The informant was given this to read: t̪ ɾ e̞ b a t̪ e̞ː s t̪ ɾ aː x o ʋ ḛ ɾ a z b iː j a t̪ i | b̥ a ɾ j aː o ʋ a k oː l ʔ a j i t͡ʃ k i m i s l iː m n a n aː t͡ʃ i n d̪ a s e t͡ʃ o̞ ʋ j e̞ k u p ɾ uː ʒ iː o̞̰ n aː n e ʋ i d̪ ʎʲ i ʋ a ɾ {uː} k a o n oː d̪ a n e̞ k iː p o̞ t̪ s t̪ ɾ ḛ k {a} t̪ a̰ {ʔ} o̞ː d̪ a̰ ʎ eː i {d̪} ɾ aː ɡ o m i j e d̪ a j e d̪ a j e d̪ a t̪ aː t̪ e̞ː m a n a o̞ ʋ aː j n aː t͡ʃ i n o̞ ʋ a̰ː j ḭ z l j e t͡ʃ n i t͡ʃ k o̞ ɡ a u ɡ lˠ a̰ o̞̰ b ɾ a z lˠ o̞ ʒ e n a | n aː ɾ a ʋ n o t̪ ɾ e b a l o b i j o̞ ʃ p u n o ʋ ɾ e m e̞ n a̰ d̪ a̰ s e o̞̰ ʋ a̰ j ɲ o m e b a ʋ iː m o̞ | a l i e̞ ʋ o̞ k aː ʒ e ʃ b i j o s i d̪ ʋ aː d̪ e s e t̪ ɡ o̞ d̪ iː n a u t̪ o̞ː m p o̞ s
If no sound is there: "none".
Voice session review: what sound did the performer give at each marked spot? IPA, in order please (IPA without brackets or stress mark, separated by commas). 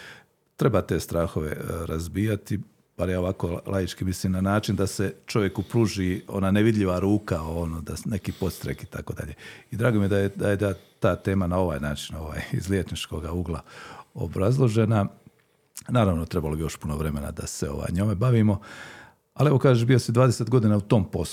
uː, i, k, d̪